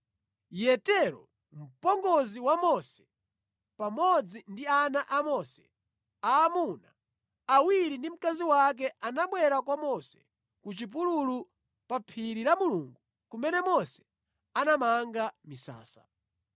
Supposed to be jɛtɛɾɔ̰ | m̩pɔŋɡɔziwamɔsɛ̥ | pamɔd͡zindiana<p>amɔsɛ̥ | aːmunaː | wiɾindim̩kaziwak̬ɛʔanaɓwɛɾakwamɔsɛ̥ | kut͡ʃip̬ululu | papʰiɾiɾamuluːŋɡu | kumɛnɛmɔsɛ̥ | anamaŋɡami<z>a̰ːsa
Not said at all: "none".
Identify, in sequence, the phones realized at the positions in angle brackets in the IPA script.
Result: ʔ, s

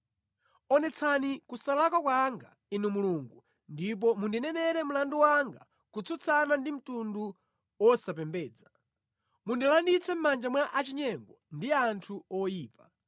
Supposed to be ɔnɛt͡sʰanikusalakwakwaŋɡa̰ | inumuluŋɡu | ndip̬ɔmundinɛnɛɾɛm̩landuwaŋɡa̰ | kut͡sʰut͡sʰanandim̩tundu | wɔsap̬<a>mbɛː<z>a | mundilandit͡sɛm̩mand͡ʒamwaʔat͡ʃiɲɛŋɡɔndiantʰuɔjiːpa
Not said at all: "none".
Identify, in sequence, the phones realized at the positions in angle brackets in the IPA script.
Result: ɛ, d͡z

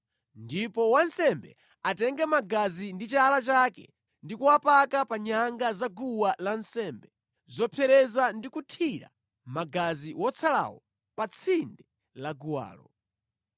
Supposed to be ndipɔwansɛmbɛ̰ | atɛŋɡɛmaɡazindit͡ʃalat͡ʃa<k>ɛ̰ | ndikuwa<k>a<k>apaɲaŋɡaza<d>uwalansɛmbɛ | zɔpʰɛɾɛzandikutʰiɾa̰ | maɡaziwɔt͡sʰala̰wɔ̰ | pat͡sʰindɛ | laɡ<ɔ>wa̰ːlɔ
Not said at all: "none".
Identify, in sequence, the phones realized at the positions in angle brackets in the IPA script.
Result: k, p, k, ɡ, u

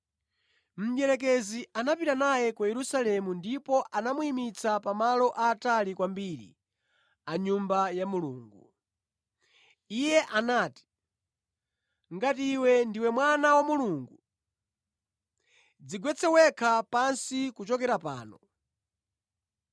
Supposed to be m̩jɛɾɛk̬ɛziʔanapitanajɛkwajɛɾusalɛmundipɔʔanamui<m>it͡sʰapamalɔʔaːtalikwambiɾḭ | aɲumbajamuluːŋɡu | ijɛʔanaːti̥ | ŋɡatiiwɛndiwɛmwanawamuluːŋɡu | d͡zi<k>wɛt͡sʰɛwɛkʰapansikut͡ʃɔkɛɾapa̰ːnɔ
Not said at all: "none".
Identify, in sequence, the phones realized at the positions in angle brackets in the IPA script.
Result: m, ɡ

